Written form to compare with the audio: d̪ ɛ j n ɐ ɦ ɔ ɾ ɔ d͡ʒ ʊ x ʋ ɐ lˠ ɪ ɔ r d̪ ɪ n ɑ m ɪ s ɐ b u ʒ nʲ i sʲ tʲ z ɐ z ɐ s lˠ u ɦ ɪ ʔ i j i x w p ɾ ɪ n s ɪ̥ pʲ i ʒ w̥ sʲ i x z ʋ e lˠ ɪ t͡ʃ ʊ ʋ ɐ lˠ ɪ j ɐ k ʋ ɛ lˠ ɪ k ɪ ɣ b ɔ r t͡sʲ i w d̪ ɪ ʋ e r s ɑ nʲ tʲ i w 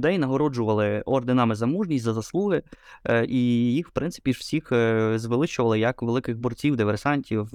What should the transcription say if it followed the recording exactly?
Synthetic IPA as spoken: d̪ ɛ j n ɐ ɦ ɔ ɾ ɔ d͡ʒ ʊ ʋ ɐ lˠ ɪ ɔ r d̪ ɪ n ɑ m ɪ z ɐ m u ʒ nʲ i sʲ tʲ z ɐ z ɐ s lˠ u ɦ ɪ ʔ i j i x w p ɾ ɪ n s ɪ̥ pʲ i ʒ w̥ sʲ i x z ʋ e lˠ ɪ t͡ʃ ʊ ʋ ɐ lˠ ɪ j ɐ k ʋ e lˠ ɪ k ɪ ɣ b ɔ r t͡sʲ i w d̪ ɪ ʋ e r s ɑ nʲ tʲ i w